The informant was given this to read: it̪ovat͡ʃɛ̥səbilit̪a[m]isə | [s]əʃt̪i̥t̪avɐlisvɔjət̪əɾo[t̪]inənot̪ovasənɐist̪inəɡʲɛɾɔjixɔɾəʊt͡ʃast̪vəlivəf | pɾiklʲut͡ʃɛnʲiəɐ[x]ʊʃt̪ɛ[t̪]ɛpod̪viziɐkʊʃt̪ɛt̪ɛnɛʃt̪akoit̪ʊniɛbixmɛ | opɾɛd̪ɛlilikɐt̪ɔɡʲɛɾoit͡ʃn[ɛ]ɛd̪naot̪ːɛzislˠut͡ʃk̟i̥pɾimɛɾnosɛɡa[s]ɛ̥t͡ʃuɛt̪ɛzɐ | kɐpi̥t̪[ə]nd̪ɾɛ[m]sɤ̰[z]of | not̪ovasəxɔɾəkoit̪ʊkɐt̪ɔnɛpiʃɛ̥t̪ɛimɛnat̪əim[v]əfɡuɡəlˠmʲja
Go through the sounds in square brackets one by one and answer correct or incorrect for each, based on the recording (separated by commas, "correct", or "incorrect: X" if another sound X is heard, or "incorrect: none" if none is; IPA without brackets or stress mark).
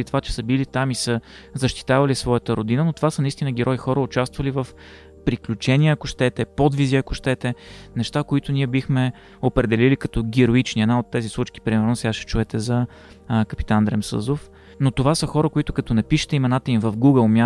correct, incorrect: z, incorrect: d̪, incorrect: k, correct, incorrect: i, incorrect: ʃ, incorrect: a, correct, correct, correct